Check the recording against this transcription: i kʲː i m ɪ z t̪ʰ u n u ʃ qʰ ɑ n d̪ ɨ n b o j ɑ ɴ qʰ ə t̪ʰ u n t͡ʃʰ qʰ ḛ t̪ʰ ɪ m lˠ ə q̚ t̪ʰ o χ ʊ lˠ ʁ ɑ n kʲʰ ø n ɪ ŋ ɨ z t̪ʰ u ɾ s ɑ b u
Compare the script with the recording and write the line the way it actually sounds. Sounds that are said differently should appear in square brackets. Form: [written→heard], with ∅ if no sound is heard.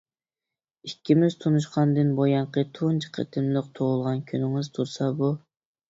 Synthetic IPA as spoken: i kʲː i m ɪ z t̪ʰ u n u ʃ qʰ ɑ n d̪ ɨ n b o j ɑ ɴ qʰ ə t̪ʰ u n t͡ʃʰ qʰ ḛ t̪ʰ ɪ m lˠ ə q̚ t̪ʰ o [χ→ʁ] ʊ lˠ ʁ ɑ n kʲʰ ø n ɪ ŋ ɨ z t̪ʰ u ɾ s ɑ b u